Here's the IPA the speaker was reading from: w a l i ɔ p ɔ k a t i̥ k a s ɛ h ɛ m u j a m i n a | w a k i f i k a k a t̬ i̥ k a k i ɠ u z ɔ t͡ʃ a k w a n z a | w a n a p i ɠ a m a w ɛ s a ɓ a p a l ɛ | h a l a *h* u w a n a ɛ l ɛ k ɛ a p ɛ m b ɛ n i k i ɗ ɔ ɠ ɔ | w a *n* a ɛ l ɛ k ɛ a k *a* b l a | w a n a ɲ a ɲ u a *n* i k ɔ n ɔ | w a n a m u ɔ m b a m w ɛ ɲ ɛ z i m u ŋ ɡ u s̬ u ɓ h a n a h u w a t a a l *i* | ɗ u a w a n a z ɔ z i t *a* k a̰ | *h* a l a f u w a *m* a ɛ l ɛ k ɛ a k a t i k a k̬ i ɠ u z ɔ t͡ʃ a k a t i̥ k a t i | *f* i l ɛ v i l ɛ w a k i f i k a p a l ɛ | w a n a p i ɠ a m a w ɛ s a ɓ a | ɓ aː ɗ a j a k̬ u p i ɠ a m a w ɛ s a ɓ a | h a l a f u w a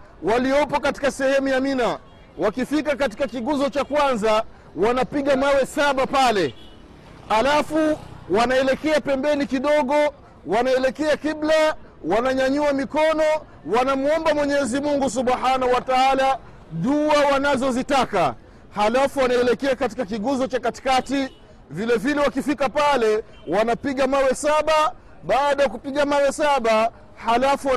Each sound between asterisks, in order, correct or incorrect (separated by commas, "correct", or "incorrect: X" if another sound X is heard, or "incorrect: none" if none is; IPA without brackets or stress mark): incorrect: f, correct, incorrect: i, incorrect: m, incorrect: a, correct, correct, incorrect: n, incorrect: v